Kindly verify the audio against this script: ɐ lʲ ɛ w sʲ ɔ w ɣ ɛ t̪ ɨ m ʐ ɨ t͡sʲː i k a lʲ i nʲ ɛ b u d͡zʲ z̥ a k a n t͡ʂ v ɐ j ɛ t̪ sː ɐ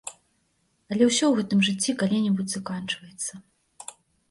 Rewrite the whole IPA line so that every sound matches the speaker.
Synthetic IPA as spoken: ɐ lʲ ɛ w sʲ ɔ w ɣ ɛ t̪ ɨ m ʐ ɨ t͡sʲː i k a lʲ i nʲ ɛ b u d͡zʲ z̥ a k a n t͡ʂ v ɐ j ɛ t̪ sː ɐ